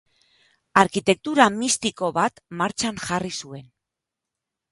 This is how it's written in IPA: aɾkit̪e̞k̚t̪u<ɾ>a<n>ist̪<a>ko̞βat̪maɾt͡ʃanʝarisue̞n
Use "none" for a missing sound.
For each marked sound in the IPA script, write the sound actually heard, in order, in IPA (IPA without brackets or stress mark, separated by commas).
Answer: ɾ, m, i